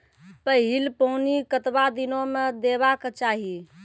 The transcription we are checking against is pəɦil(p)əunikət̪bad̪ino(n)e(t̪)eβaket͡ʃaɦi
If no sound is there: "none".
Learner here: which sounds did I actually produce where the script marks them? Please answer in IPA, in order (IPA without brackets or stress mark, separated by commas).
p, m, d̪